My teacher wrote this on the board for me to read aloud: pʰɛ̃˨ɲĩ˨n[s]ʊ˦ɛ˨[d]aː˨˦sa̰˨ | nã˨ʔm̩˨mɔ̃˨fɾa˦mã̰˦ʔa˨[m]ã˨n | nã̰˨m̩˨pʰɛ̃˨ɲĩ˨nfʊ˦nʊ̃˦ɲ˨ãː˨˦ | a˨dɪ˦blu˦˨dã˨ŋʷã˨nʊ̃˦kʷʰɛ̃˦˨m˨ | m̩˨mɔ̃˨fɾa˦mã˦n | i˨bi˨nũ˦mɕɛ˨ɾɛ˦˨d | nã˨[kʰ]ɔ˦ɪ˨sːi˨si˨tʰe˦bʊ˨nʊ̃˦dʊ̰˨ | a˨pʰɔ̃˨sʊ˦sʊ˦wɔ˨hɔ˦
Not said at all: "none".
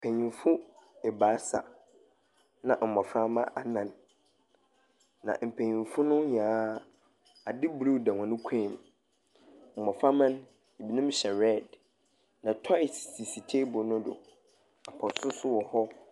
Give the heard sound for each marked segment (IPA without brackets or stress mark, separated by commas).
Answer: f, b, n, tʰ